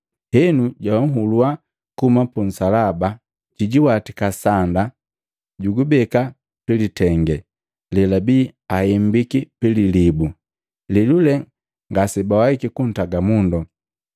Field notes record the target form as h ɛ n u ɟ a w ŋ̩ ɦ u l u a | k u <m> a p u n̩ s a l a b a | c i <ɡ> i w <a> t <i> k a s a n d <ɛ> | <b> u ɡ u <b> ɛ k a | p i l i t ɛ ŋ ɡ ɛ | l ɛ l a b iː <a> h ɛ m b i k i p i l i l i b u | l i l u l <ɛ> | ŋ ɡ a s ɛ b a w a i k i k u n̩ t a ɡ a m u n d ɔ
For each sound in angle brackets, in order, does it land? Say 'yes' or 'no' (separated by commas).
yes, no, yes, yes, no, no, yes, yes, yes